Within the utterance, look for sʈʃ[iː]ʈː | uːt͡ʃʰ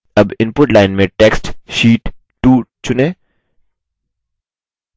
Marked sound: correct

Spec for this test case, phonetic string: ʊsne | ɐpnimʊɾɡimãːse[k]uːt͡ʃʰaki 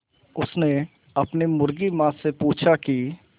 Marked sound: incorrect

